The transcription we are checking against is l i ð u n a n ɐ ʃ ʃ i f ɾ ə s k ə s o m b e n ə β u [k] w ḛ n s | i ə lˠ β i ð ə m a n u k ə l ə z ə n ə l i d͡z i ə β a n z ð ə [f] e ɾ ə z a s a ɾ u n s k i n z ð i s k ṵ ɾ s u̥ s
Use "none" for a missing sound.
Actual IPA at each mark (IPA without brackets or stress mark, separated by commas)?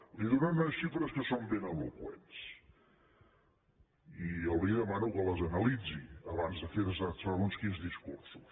k, f